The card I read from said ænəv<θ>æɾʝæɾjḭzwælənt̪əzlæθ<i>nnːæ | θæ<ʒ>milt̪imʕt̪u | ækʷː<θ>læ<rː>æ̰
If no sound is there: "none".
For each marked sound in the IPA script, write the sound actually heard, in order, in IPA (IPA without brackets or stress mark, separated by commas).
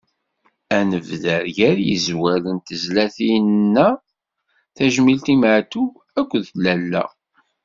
ð, i, ʒ, ð, lː